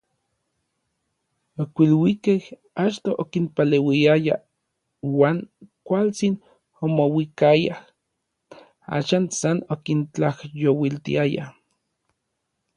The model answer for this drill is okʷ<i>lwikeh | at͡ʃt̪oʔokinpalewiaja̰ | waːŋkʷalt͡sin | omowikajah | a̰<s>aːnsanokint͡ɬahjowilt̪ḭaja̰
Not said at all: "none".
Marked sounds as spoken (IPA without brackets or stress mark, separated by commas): i, ʃ